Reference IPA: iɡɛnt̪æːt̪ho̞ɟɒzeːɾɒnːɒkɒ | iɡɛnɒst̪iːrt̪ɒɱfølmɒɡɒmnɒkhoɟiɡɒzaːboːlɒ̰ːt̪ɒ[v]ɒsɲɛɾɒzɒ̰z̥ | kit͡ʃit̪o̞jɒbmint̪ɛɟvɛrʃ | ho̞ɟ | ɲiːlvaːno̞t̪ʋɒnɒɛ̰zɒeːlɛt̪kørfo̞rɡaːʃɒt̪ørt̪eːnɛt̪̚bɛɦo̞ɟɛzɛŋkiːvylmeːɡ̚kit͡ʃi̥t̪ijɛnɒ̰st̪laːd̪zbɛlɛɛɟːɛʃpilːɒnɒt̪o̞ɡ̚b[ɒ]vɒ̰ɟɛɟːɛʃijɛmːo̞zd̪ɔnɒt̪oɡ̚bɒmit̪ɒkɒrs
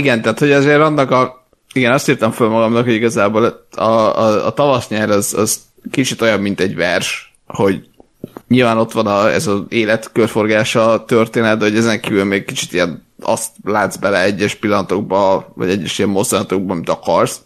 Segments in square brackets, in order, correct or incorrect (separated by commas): correct, correct